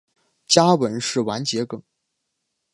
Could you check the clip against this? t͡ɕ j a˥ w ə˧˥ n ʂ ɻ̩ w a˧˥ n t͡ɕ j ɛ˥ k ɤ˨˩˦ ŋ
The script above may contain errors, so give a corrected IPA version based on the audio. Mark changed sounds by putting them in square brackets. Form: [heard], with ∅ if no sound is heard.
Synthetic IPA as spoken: t͡ɕ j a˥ w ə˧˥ n ʂ ɻ̩ w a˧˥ n t͡ɕ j [ɛ˧˥] k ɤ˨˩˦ ŋ